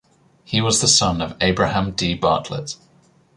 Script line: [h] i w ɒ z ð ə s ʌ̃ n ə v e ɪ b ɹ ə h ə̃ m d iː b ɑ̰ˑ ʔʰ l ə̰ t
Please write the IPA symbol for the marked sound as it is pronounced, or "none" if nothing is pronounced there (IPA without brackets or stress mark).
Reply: h